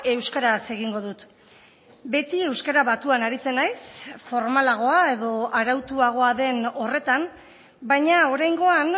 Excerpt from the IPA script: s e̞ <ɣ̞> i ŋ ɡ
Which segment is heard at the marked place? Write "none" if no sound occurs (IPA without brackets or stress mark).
ɣ̞